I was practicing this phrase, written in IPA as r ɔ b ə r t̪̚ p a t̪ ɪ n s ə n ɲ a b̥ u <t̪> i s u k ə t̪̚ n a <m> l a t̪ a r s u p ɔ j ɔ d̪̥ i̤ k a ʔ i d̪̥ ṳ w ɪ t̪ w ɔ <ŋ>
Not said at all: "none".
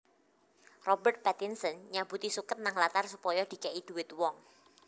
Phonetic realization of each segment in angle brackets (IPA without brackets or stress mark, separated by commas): t̪, ŋ, ŋ